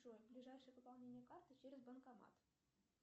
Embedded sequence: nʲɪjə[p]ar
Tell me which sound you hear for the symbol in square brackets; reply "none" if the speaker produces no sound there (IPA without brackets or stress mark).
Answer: k